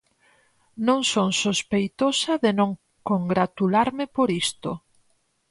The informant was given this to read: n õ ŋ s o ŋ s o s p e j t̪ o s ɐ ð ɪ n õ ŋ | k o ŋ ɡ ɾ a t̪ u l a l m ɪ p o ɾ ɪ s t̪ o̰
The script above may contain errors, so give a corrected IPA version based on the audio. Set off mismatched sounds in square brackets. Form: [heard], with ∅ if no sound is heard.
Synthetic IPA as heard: n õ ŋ s o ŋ s o s p e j t̪ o s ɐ ð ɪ n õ ŋ | k o ŋ ɡ ɾ a t̪ u l a [ɾ] m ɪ p o ɾ [i] s t̪ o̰